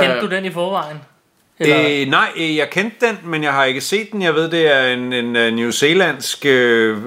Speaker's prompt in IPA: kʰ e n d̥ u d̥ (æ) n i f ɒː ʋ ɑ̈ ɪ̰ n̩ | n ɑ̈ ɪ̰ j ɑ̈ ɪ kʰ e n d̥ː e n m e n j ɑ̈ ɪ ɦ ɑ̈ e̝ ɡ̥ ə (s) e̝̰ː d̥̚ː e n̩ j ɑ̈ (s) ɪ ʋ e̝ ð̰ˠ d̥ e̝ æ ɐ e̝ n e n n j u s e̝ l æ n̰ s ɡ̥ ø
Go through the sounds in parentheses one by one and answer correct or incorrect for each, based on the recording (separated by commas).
incorrect, correct, incorrect